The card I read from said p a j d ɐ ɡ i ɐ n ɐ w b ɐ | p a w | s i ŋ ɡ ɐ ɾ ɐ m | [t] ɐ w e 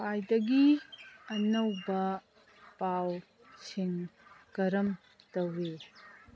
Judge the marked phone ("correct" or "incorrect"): correct